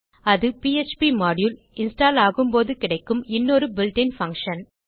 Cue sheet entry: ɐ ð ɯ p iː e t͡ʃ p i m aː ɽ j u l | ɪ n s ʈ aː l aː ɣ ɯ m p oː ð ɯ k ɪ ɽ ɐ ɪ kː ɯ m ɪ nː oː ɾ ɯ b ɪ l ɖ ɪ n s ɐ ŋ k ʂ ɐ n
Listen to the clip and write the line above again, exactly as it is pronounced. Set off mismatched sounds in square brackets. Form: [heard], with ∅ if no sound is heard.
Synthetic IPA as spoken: ɐ ð ɯ p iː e t͡ʃ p i m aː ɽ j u l | ɪ n s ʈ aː l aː ɣ ɯ m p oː ð ɯ k ɪ ɽ ɐ ɪ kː ɯ m ɪ nː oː ɾ ɯ b ɪ l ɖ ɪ n [f] ɐ ŋ k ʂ ɐ n